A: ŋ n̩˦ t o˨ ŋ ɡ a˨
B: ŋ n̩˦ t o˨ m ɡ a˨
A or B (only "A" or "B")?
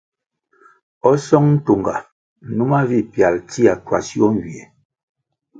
A